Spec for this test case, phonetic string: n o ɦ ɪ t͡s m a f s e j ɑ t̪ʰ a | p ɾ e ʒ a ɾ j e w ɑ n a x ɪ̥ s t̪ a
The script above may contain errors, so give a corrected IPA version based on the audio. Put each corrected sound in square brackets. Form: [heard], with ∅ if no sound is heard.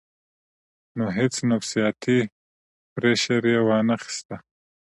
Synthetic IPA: n o ɦ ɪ t͡s [n] a f s [i] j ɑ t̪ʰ [i] | p ɾ e [ʃ] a ɾ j e w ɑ n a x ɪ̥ s t̪ a